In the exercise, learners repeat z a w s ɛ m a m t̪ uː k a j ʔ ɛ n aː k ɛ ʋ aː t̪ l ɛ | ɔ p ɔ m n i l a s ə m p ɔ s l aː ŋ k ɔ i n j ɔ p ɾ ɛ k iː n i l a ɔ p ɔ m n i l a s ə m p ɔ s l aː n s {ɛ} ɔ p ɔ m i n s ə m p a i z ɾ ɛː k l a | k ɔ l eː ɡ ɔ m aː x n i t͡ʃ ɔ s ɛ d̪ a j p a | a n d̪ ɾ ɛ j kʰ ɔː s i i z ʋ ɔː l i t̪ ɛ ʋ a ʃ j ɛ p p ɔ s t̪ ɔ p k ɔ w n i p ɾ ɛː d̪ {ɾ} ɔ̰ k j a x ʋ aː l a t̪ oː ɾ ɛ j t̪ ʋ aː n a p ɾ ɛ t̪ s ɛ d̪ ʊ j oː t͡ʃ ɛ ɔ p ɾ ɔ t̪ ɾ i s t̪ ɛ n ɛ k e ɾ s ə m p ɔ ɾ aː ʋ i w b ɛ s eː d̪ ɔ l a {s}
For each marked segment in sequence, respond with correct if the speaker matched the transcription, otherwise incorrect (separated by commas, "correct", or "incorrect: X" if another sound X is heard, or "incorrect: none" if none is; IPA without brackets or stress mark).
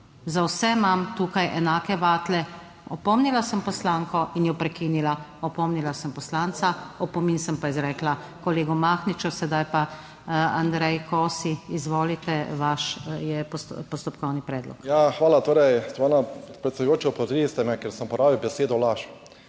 incorrect: a, incorrect: l, incorrect: ʃ